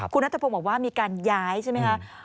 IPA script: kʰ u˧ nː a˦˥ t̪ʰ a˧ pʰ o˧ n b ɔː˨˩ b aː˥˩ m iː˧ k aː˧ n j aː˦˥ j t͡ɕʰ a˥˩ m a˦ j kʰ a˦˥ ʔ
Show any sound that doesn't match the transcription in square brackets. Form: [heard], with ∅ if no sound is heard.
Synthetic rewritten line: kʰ u˧ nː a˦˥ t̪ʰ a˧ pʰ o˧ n b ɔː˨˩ [w] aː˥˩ m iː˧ k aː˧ n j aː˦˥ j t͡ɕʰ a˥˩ m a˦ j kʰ a˦˥ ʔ

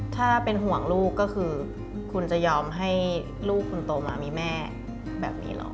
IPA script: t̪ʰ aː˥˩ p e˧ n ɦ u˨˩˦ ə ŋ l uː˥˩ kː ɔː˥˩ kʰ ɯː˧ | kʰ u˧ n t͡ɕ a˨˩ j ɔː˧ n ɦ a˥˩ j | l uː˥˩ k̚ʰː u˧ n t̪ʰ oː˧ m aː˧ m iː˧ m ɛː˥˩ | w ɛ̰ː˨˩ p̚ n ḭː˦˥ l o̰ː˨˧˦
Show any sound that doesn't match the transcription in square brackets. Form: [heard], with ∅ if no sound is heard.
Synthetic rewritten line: t̪ʰ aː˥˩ p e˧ n ɦ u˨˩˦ ə ŋ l uː˥˩ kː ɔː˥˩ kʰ ɯː˧ | kʰ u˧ n t͡ɕ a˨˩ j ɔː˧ [m] ɦ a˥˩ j | l uː˥˩ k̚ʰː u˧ n [t̪] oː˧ m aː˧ m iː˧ m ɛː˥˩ | [b] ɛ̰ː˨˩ p̚ n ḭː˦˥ l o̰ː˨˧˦

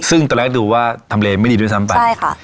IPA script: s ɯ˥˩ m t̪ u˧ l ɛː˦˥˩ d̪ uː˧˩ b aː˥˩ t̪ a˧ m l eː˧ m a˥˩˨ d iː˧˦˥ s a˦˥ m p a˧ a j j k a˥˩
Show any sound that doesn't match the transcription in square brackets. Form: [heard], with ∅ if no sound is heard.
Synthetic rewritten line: s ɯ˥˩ [ŋ] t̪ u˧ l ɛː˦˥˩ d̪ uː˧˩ [w] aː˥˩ [t̪ʰ] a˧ m l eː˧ m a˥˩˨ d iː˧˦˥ s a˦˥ m p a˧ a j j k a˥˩

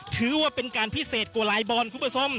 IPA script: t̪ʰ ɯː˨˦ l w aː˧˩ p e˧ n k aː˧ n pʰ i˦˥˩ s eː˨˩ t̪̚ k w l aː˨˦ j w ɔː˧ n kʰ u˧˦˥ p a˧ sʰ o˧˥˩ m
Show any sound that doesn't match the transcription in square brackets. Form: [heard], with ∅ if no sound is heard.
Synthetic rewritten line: t̪ʰ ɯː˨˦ [∅] w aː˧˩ p e˧ n k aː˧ n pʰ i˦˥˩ s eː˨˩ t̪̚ k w l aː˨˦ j [b] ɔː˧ n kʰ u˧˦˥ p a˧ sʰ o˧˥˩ m

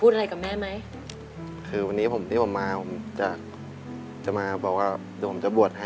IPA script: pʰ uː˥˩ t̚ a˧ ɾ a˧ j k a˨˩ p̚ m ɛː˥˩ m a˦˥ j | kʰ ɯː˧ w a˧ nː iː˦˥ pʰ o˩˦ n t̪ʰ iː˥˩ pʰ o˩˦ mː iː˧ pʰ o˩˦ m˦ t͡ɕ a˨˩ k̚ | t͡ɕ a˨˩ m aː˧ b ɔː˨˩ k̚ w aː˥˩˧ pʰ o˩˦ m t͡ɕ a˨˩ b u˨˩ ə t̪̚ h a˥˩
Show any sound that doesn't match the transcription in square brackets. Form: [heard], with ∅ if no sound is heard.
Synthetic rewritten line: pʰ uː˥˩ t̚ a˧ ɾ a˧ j k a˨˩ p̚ m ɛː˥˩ m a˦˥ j | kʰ ɯː˧ w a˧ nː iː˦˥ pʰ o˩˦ [m] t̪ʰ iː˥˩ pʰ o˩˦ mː [aː˧] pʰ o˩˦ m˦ t͡ɕ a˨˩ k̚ | t͡ɕ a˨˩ m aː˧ b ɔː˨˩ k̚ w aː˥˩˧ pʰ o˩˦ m t͡ɕ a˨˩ b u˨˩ ə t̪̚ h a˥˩

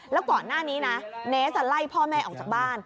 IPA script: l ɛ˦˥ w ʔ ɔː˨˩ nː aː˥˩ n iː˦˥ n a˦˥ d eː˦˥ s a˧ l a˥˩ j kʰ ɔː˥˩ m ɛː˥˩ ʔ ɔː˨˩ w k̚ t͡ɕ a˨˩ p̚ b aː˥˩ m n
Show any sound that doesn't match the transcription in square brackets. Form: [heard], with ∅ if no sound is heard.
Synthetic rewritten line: l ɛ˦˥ w [k] ɔː˨˩ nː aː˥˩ n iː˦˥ n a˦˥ [n] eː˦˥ s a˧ l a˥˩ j [pʰ] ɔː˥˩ m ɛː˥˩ ʔ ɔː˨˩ [∅] k̚ t͡ɕ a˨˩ [k̚] b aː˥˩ [∅] n

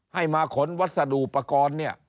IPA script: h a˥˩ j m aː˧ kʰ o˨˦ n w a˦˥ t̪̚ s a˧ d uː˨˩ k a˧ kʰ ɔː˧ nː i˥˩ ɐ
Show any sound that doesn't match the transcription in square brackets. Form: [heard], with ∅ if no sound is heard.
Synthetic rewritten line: h a˥˩ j m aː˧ kʰ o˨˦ n w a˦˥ t̪̚ s a˧ d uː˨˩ [p] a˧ [k] ɔː˧ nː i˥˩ ɐ

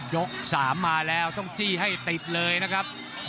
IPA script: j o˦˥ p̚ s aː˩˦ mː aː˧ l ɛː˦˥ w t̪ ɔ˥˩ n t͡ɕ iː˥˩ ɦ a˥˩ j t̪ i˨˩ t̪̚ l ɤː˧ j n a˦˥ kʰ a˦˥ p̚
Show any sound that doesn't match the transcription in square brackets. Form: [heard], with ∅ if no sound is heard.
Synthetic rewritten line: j o˦˥ [k̚] s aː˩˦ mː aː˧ l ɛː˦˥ w t̪ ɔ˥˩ [ŋ] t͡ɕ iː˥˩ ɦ a˥˩ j t̪ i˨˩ t̪̚ l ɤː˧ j n a˦˥ kʰ a˦˥ p̚

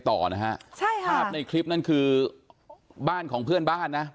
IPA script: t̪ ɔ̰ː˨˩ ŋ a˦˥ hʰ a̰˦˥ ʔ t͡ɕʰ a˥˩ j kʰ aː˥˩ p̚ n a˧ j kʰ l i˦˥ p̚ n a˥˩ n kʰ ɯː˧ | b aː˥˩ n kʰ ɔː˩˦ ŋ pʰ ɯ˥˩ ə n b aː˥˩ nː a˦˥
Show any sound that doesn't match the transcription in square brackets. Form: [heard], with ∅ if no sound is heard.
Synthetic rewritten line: t̪ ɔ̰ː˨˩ [n] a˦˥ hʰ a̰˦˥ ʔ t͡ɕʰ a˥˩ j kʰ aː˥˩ p̚ n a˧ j kʰ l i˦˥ p̚ n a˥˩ n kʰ ɯː˧ | b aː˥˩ n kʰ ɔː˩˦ ŋ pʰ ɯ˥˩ ə n b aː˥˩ nː a˦˥

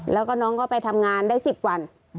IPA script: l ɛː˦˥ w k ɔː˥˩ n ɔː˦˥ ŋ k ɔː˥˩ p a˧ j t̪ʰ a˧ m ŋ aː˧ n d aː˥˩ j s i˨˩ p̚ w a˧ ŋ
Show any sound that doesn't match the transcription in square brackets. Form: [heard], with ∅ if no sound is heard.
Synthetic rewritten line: l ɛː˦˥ w k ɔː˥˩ n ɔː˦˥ ŋ k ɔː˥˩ p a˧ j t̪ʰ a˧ m ŋ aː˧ n d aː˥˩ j s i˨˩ p̚ w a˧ [n]

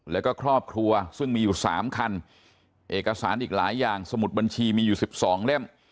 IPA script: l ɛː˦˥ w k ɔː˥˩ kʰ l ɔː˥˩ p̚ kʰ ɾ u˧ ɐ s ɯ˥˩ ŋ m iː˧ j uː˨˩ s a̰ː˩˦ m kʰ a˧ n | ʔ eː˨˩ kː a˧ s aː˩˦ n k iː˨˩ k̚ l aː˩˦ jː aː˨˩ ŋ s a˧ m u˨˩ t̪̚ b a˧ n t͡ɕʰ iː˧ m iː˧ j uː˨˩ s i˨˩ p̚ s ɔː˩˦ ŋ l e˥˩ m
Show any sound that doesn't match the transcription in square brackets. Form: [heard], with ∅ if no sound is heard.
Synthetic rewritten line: l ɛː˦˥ w k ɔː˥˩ kʰ [ɾ] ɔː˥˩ p̚ kʰ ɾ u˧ ɐ s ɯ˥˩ ŋ m iː˧ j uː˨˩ s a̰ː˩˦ m kʰ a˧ n | ʔ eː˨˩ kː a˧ s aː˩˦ n [ʔ] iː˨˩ k̚ l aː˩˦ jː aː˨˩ ŋ s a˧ m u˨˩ t̪̚ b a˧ n t͡ɕʰ iː˧ m iː˧ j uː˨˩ s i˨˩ p̚ s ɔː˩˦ ŋ l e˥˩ m

